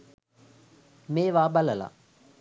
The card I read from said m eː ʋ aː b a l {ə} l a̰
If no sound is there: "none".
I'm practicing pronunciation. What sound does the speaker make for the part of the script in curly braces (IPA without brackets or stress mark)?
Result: ə